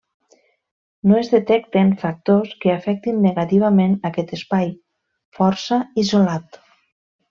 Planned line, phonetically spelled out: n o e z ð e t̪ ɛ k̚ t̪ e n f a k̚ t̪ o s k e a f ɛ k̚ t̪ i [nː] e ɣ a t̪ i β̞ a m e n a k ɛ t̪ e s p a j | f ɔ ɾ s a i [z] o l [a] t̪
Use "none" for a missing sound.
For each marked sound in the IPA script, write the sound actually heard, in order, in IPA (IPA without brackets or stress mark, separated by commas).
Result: nː, z, a